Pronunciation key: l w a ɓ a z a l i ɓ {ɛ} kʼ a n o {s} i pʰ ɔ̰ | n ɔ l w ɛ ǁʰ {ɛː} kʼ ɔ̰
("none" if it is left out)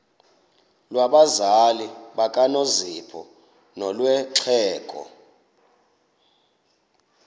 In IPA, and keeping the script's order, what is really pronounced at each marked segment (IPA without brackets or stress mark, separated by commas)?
a, z, ɛː